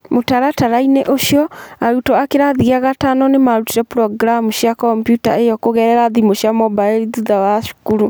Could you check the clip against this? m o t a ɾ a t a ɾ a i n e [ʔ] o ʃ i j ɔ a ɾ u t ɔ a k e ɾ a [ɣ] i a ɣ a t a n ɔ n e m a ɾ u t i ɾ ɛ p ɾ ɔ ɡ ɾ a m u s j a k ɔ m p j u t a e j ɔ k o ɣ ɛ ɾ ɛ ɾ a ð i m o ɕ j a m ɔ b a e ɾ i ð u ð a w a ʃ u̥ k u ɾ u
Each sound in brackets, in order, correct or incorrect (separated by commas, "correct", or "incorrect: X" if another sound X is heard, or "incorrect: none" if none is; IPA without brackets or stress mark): correct, incorrect: ð